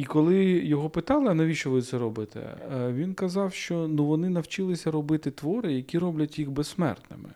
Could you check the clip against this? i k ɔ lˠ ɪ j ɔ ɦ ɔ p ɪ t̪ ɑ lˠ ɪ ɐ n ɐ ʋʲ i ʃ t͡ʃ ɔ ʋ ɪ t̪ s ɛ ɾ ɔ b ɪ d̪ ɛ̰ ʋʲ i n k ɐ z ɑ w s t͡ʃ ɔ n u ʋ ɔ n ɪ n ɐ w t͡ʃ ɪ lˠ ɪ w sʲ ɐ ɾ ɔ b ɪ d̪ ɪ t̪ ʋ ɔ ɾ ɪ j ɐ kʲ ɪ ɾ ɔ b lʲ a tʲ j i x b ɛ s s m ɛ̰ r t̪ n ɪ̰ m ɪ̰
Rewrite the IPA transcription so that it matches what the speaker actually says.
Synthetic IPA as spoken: i k ɔ lˠ ɪ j ɔ ɦ ɔ p ɪ t̪ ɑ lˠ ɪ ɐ n ɐ ʋʲ i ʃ t͡ʃ ɔ ʋ ɪ t̪ s ɛ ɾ ɔ b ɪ t̪ ɛ̰ ʋʲ i n k ɐ z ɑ w ʃ t͡ʃ ɔ n u ʋ ɔ n ɪ n ɐ w t͡ʃ ɪ lˠ ɪ sʲ ɐ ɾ ɔ b ɪ t̪ ɪ t̪ ʋ ɔ ɾ ɪ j ɐ kʲ i ɾ ɔ b lʲ ɐ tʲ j i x b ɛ s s m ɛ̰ r t̪ n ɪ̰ m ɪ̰